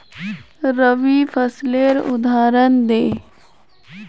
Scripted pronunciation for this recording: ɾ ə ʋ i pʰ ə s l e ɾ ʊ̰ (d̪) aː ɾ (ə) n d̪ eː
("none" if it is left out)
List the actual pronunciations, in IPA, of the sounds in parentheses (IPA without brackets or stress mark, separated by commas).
d̪, ə